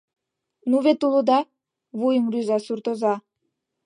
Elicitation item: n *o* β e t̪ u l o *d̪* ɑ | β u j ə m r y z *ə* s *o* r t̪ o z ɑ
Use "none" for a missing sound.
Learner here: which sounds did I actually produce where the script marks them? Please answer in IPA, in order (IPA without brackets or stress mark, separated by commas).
u, d̪, ɑ, u